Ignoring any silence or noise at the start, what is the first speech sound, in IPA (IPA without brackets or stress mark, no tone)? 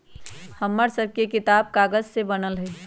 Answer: h